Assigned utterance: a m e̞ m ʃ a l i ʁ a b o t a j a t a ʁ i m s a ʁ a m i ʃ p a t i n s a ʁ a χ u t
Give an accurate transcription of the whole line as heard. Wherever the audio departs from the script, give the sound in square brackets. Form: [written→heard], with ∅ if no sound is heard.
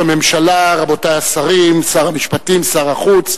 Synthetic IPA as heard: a m e̞ m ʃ a l [i→a] ʁ a b o t a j a [t→s] a ʁ i m s a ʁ a m i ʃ p a t i [n→m] s a ʁ a χ u [t→t͡s]